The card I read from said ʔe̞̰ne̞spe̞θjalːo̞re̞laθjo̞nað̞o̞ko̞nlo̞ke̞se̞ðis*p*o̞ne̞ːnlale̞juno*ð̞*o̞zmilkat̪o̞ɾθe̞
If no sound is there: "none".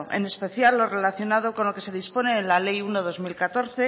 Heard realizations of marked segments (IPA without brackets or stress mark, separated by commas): p, ð̞